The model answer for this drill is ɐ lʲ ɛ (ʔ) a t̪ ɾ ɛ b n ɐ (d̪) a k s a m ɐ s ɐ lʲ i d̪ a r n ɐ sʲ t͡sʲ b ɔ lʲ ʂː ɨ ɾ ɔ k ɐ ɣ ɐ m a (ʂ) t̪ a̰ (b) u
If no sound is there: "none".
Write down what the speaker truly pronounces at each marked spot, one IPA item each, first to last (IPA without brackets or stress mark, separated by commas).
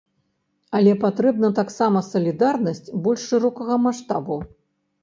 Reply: p, t̪, ʂ, b